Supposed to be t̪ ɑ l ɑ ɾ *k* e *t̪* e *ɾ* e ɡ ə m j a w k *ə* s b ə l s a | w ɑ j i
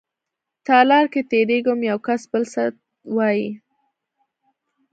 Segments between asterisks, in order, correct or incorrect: correct, correct, correct, incorrect

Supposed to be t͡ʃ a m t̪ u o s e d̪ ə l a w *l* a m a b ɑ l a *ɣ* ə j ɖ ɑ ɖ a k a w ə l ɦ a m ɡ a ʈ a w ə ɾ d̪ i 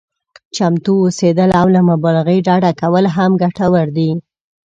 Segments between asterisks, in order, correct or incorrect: correct, correct

